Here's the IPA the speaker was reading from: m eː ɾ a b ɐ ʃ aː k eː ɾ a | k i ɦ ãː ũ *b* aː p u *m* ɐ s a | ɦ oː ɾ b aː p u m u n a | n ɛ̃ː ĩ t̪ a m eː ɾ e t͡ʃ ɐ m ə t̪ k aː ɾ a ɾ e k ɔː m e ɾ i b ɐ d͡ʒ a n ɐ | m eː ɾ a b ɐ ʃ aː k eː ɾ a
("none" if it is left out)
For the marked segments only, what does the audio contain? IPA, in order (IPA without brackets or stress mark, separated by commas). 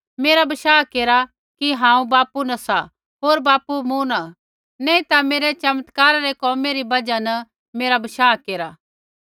b, n